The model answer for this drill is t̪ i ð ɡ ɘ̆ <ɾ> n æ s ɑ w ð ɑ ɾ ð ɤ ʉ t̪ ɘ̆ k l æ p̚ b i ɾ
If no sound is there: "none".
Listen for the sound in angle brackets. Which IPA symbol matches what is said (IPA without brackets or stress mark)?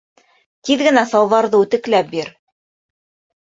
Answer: none